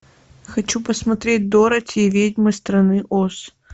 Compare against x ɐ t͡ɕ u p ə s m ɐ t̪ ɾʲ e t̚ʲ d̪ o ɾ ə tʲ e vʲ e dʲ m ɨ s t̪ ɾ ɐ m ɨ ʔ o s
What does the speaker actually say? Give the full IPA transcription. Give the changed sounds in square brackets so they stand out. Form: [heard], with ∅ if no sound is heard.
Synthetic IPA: x ɐ t͡ɕ u p ə s m ɐ t̪ ɾʲ e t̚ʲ d̪ o ɾ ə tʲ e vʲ e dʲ m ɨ s t̪ ɾ ɐ [n] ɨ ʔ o s